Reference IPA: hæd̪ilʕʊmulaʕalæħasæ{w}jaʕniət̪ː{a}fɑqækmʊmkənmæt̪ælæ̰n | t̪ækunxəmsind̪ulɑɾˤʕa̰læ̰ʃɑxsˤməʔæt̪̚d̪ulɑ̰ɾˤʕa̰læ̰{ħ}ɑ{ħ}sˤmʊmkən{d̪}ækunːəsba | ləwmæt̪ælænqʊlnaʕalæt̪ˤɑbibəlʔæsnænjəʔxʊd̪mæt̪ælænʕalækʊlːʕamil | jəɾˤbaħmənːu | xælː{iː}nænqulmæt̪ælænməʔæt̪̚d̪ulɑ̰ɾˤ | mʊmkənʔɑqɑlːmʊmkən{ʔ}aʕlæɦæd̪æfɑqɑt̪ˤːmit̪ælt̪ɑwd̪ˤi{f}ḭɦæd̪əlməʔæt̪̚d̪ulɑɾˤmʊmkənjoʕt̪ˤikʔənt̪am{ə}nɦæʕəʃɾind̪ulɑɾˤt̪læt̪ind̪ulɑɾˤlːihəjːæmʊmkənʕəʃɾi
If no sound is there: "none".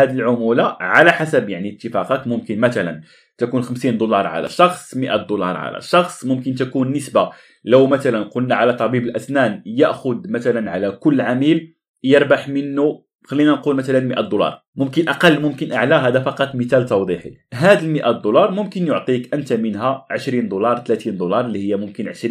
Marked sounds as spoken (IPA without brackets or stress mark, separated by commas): b, ə, ʃ, x, t̪, i, ʔ, ħ, ə